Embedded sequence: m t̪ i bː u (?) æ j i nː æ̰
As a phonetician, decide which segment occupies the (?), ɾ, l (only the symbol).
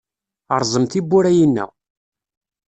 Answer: ɾ